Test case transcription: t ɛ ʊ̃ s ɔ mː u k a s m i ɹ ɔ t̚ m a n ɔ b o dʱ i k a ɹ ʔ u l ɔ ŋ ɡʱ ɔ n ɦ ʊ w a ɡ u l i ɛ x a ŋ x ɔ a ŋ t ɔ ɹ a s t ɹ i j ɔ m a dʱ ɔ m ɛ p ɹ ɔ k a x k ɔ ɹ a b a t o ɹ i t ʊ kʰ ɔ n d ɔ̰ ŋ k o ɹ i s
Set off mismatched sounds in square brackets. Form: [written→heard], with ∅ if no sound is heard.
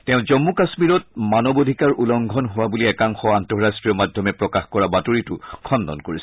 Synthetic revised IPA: t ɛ ʊ̃ [s→z] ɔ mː u k a s m i ɹ ɔ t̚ m a n ɔ b o dʱ i k a ɹ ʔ u l ɔ ŋ ɡʱ ɔ n ɦ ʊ w a [ɡ→b] u l i ɛ [x→k] a ŋ x ɔ a [ŋ→n] t ɔ ɹ a s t ɹ i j ɔ m a dʱ ɔ m ɛ p ɹ ɔ k a x k ɔ ɹ a b a t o ɹ i t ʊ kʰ ɔ n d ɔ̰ [ŋ→n] k o ɹ i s